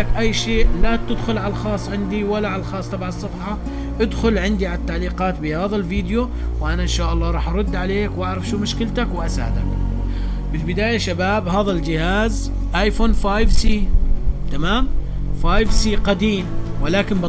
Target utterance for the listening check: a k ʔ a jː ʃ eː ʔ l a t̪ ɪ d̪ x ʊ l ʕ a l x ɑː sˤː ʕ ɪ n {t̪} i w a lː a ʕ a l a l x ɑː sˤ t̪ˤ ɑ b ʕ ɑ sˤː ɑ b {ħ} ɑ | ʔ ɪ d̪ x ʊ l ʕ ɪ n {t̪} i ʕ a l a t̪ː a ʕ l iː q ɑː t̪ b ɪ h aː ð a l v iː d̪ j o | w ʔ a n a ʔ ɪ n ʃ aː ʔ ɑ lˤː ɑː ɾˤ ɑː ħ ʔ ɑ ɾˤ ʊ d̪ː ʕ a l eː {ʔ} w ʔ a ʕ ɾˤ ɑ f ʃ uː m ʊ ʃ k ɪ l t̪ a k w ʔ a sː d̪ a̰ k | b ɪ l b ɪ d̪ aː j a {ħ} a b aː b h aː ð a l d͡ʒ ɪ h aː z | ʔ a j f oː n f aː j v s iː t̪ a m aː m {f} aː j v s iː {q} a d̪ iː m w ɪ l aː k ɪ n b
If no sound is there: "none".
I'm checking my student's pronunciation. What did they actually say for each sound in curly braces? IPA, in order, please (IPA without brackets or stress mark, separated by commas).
d̪, ħ, d̪, k, ʃ, f, q